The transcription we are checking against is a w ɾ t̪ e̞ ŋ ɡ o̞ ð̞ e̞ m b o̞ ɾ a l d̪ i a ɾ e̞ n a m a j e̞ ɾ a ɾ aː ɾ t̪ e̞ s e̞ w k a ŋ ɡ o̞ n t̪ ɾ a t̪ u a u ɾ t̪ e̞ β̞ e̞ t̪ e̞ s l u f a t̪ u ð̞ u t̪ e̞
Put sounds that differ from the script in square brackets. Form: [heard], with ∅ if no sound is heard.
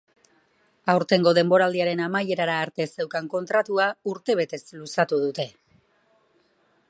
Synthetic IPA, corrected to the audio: a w ɾ t̪ e̞ ŋ ɡ o̞ ð̞ e̞ m b o̞ ɾ a l d̪ i a ɾ e̞ n a m a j e̞ ɾ a ɾ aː ɾ t̪ e̞ s e̞ w k a ŋ [k] o̞ n t̪ ɾ a t̪ u a u ɾ t̪ e̞ β̞ e̞ t̪ e̞ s l u [s] a t̪ u ð̞ u t̪ e̞